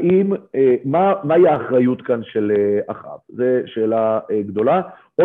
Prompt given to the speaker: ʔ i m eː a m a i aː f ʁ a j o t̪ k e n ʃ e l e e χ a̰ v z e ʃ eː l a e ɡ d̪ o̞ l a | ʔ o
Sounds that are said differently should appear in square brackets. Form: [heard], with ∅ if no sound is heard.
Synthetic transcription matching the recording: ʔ i m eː a m a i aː [χ] ʁ a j [u] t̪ k [a] n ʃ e l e [a] χ a̰ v z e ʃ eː l a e ɡ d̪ o̞ l a | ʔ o